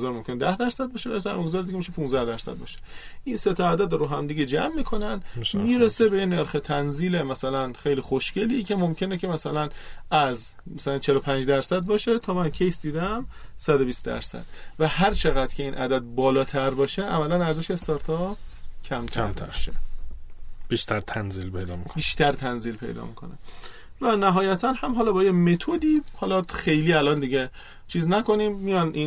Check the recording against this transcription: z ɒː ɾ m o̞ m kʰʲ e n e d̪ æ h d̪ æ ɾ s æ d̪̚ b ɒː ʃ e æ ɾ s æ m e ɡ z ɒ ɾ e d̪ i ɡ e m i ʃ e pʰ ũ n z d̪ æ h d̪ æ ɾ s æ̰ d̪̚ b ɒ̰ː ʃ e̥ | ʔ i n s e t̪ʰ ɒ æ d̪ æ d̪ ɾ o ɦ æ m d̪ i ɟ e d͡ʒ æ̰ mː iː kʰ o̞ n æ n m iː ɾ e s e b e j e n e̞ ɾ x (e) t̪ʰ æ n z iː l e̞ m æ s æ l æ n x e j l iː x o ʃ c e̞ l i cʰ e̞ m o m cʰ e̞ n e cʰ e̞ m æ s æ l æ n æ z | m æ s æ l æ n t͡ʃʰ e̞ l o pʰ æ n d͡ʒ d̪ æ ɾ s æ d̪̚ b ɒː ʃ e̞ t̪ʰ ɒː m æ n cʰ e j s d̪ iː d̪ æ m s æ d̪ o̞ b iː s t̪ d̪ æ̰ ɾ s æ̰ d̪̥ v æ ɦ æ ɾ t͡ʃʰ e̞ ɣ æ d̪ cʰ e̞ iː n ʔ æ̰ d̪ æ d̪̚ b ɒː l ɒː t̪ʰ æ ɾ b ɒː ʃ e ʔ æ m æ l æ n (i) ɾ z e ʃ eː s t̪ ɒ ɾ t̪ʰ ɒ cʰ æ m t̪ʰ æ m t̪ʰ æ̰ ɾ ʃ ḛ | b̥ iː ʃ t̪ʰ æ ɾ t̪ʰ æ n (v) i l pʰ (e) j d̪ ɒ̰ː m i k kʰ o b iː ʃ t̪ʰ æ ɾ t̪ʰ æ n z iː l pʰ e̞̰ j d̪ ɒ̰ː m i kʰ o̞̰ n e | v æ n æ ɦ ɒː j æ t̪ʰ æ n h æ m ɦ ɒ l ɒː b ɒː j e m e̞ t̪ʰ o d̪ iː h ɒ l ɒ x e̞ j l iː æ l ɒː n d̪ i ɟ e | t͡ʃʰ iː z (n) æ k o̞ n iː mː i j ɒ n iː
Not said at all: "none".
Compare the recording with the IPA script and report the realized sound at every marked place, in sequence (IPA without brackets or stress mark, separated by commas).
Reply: e, æ, z, e, n